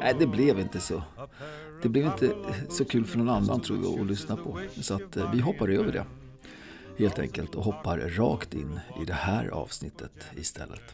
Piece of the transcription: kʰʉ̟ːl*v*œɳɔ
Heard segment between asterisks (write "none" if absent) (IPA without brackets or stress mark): f